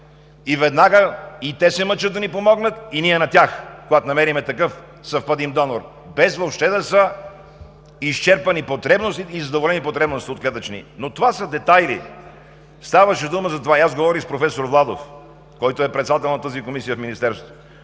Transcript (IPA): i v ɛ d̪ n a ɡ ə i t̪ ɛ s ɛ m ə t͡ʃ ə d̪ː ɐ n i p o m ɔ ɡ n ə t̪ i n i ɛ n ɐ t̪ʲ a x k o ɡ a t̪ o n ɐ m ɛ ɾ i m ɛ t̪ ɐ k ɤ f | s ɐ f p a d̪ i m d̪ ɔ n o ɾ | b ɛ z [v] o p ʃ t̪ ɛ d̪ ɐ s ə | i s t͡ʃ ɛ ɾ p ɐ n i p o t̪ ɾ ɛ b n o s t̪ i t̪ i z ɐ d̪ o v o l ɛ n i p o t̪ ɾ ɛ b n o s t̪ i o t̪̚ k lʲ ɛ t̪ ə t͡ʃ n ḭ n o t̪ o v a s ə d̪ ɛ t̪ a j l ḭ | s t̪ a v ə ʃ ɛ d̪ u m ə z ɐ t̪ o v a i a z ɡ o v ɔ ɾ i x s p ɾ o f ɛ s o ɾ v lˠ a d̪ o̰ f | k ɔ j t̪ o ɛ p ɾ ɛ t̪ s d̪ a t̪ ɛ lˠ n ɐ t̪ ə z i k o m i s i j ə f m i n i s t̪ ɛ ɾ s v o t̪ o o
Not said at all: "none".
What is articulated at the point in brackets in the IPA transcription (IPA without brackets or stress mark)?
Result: v